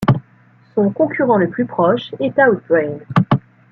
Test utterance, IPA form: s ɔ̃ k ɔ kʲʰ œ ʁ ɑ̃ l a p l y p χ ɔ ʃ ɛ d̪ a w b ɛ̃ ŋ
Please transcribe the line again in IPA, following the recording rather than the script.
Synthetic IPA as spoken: s ɔ̃ k ɔ̃ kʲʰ y ʁ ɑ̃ l ə p l y p χ ɔ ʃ ɛ t̪ a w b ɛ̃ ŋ

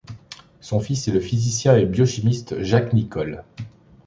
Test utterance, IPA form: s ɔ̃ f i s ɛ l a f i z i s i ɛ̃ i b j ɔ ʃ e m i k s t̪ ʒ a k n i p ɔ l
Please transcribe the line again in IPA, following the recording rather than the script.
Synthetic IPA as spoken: s ɔ̃ f i s ɛ l ə f i z i s j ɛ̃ e b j ɔ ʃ i m i s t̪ ʒ a k n i k ɔ l

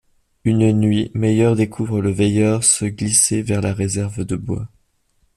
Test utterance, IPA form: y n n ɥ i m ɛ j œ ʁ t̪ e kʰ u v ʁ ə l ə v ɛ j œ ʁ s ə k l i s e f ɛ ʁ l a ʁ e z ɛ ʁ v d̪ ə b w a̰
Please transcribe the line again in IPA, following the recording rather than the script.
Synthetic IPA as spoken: y n n ɥ i m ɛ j œ ʁ d̪ e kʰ u v ʁ ə l ə v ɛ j œ ʁ s ə ɡ l i s e v ɛ ʁ l a ʁ e z ɛ ʁ v d̪ ə b w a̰

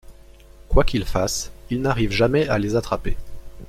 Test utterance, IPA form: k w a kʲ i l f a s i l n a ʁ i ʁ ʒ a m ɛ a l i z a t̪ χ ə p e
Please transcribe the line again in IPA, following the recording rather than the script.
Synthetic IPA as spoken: k w a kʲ i l f a s i l n a ʁ i v ʒ a m ɛ a l e z a t̪ χ a p e

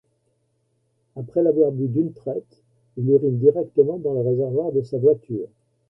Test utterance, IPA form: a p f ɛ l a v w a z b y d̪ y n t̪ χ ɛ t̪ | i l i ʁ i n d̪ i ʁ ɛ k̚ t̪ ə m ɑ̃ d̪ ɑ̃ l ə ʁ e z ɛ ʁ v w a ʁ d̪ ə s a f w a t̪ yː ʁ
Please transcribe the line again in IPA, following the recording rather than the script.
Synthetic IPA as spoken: a p χ ɛ l a v w a ʁ b y d̪ y n t̪ χ ɛ t̪ | i l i ʁ i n d̪ i ʁ ɛ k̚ t̪ ə m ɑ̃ d̪ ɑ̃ l ə ʁ e z ɛ ʁ v w a ʁ d̪ ə s a v w a t̪ yː ʁ

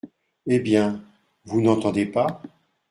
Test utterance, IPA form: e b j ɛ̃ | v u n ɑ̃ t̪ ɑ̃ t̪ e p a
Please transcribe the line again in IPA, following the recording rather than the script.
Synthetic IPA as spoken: e b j ɛ̃ | v u n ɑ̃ t̪ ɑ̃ d̪ e p a

